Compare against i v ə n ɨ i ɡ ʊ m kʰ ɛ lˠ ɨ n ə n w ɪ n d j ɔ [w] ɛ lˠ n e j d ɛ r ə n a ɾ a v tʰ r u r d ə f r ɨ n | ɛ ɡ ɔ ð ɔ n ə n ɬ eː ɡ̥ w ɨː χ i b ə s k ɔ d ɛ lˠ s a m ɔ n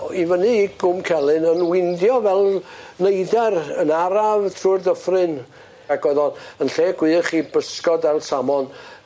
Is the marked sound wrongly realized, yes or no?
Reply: yes